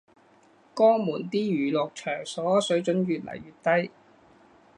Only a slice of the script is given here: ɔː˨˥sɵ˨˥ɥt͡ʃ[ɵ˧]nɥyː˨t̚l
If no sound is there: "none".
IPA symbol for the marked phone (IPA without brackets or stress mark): ɵ˨˥